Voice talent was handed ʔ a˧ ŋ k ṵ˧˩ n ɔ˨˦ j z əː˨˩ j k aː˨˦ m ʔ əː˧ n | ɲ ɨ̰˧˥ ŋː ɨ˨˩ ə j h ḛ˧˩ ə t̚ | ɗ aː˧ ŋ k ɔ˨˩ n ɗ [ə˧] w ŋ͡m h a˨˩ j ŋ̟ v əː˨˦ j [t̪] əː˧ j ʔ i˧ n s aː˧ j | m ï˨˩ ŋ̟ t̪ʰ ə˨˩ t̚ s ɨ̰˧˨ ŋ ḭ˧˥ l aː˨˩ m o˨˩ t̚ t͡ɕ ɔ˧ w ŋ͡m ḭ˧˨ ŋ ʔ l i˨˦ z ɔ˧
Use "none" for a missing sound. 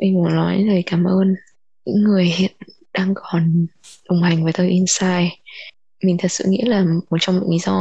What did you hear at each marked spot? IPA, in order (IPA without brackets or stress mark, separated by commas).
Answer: ə˨˩, t̪